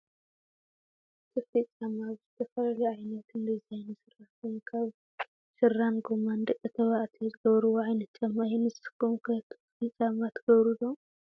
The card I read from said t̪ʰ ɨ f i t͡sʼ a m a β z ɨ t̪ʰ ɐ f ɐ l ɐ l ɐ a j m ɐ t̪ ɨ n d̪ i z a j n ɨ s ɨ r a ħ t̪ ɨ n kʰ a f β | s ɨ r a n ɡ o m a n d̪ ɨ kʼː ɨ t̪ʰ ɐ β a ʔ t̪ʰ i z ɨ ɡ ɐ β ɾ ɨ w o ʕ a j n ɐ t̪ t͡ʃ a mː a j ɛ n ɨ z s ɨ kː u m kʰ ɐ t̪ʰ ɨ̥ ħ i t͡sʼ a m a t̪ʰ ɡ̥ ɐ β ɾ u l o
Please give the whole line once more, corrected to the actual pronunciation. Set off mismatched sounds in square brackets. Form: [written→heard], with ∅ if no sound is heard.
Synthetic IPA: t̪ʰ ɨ f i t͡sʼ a m a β z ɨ t̪ʰ ɐ f ɐ l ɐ l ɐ a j [m→n] ɐ t̪ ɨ n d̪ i z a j n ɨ s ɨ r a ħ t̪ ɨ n kʰ a [f→∅] β | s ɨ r a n ɡ o m a n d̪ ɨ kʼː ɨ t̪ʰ ɐ β a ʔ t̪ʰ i z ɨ ɡ ɐ β ɾ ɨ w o ʕ a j n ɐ t̪ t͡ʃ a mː a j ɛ n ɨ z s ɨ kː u m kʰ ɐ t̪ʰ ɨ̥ [ħ→f] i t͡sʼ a m a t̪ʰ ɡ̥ ɐ β ɾ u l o

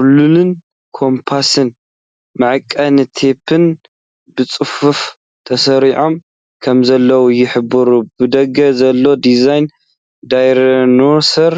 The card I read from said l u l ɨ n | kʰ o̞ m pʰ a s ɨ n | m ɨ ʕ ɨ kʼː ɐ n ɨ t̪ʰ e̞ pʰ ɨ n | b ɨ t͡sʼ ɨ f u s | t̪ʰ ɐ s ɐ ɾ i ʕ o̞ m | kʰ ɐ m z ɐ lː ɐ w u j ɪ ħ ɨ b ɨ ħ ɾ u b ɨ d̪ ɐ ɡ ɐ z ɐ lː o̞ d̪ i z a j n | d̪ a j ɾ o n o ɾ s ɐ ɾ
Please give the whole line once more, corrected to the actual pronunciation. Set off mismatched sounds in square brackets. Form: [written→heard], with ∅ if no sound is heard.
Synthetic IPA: l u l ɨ n | kʰ o̞ m pʰ a s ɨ n | m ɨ ʕ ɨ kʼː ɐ n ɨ t̪ʰ e̞ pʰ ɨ n | b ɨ t͡sʼ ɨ f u [s→f] | t̪ʰ ɐ s ɐ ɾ i ʕ o̞ m | kʰ ɐ m z ɐ lː ɐ w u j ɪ ħ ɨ b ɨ [ħ→∅] ɾ u b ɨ d̪ ɐ ɡ ɐ z ɐ lː o̞ d̪ i z a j n | d̪ a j ɾ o n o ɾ s ɐ ɾ

